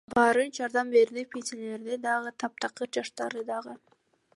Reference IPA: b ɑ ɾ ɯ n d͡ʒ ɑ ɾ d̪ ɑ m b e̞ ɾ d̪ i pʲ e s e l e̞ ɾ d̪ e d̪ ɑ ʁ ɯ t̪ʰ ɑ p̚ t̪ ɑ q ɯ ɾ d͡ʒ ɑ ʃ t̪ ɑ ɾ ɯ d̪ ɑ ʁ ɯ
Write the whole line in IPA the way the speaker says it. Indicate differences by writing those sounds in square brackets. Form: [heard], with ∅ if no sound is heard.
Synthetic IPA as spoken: b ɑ ɾ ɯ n d͡ʒ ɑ ɾ d̪ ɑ m b e̞ ɾ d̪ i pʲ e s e l e̞ ɾ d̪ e d̪ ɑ ʁ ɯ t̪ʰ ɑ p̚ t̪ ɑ q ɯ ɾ d͡ʒ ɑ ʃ t̪ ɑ ɾ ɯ d̪ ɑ ʁ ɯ

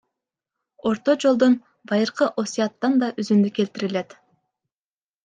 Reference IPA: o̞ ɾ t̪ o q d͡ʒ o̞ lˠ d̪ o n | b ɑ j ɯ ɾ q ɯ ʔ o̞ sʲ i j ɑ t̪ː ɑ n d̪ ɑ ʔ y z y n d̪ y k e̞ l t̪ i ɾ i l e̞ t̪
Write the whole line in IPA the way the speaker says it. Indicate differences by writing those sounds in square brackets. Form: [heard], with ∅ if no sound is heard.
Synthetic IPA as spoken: o̞ ɾ t̪ o [∅] d͡ʒ o̞ lˠ d̪ o n | b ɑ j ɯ ɾ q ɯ ʔ o̞ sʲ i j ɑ t̪ː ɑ n d̪ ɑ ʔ y z y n d̪ y k e̞ l t̪ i ɾ i l e̞ t̪

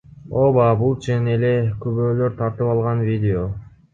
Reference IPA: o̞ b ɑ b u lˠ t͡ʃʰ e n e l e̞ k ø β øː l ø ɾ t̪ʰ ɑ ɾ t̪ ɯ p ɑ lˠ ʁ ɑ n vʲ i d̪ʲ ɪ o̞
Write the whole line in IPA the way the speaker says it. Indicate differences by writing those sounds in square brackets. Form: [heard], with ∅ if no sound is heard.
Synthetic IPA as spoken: o̞ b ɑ b u lˠ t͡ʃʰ e n e l e̞ k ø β øː l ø ɾ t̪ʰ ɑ ɾ t̪ ɯ p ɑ lˠ ʁ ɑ n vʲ i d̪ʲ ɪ o̞

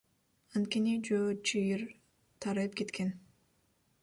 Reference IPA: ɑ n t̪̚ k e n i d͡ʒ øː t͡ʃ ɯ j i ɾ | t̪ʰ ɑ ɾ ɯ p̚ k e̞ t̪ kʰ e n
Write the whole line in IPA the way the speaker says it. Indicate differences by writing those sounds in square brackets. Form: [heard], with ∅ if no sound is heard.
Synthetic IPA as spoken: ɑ n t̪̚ k e n i d͡ʒ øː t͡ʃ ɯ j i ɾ | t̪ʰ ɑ ɾ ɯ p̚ k e̞ t̪ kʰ e n

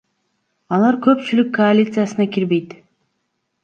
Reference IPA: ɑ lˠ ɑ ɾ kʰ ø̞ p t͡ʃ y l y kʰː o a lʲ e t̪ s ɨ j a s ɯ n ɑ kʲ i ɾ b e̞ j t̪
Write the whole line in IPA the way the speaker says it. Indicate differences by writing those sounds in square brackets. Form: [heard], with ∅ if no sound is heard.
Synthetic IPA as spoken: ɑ lˠ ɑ ɾ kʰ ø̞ p t͡ʃ y l y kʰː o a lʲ [i] t̪ s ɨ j a s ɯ n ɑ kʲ i ɾ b e̞ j t̪

